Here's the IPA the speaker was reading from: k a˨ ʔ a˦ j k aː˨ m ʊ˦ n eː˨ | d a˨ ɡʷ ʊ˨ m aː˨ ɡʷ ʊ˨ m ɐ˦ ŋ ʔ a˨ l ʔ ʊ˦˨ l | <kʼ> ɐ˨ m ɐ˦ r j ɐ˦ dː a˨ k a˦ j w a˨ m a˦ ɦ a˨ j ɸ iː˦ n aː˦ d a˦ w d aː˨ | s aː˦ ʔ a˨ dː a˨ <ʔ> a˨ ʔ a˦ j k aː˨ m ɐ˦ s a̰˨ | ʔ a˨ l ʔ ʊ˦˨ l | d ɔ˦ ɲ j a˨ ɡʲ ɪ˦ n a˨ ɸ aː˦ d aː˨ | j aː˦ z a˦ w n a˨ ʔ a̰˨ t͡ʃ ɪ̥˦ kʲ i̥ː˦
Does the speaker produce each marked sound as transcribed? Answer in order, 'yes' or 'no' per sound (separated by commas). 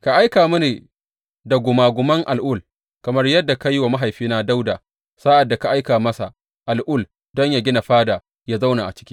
no, no